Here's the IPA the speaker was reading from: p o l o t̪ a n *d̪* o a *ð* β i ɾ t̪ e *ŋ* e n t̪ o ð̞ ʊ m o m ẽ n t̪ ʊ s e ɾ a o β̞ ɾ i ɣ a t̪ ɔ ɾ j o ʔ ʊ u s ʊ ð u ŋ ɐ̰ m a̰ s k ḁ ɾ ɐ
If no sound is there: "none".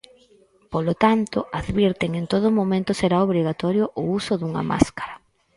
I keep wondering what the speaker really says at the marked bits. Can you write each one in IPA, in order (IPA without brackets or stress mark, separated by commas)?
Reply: t̪, ð, ŋ